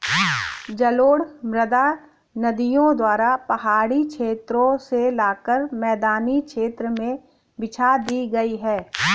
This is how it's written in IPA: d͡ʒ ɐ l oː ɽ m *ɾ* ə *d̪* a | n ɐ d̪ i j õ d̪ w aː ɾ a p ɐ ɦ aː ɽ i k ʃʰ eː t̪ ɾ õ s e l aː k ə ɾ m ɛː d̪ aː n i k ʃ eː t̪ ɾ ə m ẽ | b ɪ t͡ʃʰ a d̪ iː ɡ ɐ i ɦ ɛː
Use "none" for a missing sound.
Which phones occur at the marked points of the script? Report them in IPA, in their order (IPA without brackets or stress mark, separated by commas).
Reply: ɾ, d̪